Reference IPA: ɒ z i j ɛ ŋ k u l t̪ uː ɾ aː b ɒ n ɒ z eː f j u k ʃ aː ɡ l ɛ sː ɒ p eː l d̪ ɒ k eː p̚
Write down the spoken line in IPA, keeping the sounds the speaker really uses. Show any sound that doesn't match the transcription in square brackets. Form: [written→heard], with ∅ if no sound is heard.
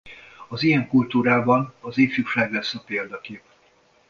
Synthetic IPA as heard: ɒ z i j ɛ ŋ k u l t̪ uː ɾ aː b ɒ n ɒ z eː f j u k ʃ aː ɡ l ɛ sː ɒ p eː l d̪ ɒ k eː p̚